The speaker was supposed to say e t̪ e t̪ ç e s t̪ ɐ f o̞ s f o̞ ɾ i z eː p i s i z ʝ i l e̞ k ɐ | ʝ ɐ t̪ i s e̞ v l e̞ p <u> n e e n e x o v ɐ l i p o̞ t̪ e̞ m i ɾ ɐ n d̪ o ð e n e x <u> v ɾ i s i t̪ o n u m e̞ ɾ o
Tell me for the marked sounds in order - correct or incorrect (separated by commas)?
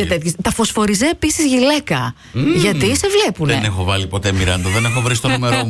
correct, incorrect